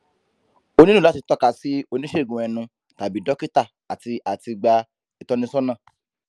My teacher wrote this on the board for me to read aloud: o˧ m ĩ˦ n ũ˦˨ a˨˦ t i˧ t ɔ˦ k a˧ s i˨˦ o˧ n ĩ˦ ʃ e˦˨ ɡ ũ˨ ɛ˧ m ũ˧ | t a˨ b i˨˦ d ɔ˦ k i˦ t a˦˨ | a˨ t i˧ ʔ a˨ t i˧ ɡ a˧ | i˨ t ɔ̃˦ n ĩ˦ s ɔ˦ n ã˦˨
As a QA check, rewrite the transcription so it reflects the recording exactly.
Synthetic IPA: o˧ n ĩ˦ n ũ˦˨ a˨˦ t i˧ t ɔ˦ k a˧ s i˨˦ o˧ n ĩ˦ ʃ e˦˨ ɡ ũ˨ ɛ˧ n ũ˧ | t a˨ b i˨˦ d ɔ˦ k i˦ t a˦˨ | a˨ t i˧ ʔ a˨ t i˧ ɡ͡b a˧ | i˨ t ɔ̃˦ n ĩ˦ s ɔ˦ n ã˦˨